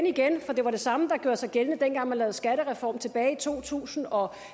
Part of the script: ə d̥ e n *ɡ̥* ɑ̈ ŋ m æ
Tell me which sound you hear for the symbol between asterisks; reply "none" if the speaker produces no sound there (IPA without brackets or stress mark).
ɡ̥